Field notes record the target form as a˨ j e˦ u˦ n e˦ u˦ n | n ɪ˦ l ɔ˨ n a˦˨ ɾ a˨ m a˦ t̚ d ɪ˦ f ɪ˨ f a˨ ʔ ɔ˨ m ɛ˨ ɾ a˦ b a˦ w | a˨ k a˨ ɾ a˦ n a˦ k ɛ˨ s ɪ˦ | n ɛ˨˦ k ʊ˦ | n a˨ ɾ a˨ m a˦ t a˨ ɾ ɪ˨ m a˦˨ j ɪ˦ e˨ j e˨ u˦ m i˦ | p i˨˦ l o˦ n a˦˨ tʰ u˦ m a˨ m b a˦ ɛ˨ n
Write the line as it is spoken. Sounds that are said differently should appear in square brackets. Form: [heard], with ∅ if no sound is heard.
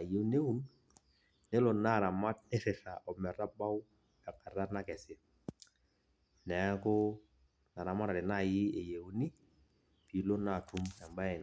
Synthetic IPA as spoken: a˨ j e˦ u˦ n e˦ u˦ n | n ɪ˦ l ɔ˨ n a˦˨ ɾ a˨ m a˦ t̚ [n] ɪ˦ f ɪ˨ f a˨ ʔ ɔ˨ m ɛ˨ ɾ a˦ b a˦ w | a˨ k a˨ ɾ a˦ n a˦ k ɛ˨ s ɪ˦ | n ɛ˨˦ k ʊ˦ | n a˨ ɾ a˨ m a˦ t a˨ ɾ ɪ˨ [n] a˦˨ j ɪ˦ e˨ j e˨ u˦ [n] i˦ | p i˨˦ l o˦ n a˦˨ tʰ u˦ m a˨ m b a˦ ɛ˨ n